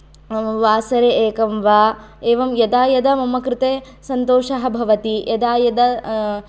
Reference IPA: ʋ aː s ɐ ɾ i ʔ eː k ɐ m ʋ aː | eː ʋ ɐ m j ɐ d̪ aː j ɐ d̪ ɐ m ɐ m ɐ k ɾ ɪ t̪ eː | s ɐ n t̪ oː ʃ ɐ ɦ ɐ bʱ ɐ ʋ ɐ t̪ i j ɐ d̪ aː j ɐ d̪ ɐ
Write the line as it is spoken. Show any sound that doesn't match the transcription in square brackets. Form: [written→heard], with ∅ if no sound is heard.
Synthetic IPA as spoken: ʋ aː s ɐ ɾ [i→e] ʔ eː k ɐ m ʋ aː | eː ʋ ɐ m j ɐ d̪ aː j ɐ d̪ ɐ m ɐ m ɐ k ɾ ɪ t̪ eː | s ɐ n t̪ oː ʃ ɐ ɦ ɐ bʱ ɐ ʋ ɐ t̪ i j ɐ d̪ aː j ɐ d̪ ɐ